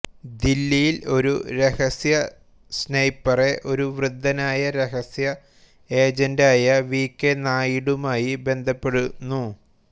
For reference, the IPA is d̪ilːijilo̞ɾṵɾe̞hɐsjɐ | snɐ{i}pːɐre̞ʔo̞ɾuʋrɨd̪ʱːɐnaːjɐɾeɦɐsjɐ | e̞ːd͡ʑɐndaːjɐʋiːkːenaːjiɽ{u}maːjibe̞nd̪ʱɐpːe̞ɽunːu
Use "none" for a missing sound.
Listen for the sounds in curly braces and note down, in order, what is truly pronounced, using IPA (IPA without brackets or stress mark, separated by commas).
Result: j, u